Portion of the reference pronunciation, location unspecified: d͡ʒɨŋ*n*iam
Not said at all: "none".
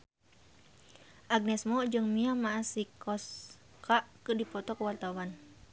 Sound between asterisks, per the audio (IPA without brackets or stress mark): m